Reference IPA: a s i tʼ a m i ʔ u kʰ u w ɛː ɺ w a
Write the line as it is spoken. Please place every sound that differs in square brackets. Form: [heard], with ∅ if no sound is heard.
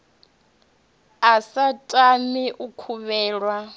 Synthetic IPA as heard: a s [a] tʼ a m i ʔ u kʰ u [β] ɛː ɺ w a